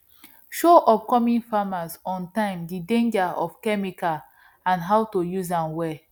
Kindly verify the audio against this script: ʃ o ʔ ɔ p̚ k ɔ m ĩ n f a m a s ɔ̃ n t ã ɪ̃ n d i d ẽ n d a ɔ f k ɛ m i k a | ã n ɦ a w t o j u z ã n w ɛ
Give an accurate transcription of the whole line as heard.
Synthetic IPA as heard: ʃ o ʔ ɔ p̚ k ɔ m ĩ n f a m a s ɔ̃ n t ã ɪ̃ m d i d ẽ n d͡ʒ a ɔ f k ɛ m i k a | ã n ɦ a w t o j u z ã n w ɛ